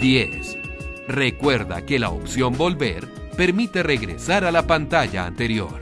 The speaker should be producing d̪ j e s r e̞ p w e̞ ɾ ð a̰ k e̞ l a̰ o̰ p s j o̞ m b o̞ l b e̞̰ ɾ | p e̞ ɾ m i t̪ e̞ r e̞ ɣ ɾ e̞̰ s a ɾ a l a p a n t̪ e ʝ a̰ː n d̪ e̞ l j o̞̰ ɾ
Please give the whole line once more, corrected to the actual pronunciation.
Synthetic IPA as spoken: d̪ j e s r e̞ k w e̞ ɾ ð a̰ k e̞ l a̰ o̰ p s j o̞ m b o̞ l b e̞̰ ɾ | p e̞ ɾ m i t̪ e̞ r e̞ ɣ ɾ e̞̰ s a ɾ a l a p a n t̪ a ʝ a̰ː n t̪ e̞ ɾ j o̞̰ ɾ